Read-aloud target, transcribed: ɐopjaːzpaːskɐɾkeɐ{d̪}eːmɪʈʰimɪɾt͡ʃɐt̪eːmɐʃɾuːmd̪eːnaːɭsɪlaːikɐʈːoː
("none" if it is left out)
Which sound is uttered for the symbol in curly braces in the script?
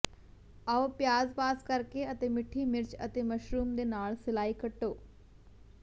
t̪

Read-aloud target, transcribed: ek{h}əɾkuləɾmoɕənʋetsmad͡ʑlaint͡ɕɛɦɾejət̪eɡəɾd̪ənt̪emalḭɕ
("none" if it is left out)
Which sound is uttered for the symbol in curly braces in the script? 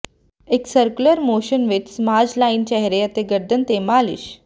s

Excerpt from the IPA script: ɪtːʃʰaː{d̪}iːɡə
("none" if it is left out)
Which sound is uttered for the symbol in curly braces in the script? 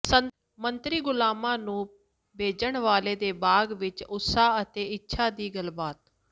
d̪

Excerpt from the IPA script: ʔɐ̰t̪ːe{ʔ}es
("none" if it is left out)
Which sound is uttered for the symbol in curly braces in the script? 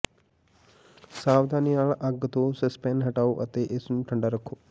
ʔ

